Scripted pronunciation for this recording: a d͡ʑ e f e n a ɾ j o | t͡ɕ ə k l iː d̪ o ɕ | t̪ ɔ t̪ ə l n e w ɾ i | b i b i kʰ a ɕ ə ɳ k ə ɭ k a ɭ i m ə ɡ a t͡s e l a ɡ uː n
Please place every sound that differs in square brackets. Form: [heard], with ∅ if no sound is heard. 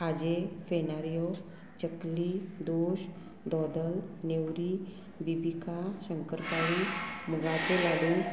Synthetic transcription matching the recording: a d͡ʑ e f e n a ɾ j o | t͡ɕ ə k l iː d̪ o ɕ | [d̪] ɔ [d̪] ə l n e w ɾ i | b i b i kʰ a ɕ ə [ŋ] k ə [ɾ] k a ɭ i m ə ɡ a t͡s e l a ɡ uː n